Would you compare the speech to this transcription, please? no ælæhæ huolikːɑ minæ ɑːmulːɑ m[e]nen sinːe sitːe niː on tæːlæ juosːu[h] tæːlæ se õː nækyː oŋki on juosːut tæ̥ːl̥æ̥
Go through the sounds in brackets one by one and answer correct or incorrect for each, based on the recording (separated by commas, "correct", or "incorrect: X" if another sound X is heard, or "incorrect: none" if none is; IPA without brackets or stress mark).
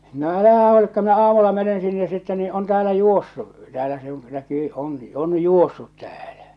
correct, incorrect: none